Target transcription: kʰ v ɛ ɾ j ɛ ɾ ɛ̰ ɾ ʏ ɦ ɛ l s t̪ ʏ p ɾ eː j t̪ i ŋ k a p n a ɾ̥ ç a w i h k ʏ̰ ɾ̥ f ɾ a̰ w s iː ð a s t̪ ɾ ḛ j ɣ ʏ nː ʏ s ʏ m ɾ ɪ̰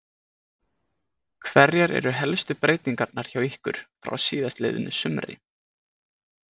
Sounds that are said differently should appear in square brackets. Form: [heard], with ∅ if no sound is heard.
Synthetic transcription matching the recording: kʰ v ɛ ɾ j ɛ ɾ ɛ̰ ɾ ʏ ɦ ɛ l s t̪ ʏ p ɾ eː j t̪ i ŋ k a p n a ɾ̥ ç a w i h k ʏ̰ ɾ̥ f ɾ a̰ w s iː ð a s t̪ [l] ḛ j [ð] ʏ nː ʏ s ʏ m ɾ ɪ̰